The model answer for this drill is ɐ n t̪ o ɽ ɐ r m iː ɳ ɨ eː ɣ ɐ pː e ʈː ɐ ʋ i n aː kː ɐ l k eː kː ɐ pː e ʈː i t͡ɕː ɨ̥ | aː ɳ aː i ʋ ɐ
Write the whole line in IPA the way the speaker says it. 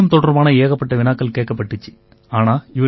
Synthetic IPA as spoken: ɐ m t̪ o ɽ ɐ r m aː ɳ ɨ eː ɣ ɐ pː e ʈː ɐ ʋ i n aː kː ɐ l k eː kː ɐ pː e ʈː i t͡ɕː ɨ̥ | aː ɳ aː i ʋ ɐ